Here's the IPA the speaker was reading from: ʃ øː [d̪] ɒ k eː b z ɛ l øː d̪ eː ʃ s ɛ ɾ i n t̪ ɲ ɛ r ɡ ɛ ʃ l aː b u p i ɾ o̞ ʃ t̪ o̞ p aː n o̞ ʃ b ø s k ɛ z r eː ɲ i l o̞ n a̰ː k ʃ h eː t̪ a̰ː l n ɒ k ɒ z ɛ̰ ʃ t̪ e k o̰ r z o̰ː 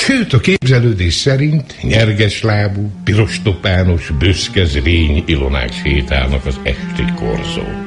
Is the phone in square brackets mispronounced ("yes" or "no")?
yes